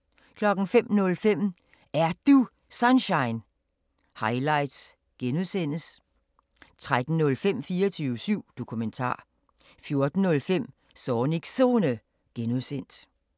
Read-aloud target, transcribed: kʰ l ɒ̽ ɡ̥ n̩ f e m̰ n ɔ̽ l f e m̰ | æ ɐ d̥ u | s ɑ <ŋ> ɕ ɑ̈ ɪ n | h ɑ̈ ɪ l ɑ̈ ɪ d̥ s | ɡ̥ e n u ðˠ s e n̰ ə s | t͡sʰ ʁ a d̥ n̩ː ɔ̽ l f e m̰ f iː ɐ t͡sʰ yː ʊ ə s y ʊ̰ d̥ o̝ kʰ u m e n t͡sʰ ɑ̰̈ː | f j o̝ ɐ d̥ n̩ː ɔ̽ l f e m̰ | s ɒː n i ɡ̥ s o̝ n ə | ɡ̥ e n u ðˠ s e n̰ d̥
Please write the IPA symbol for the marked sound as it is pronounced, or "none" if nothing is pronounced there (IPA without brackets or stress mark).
n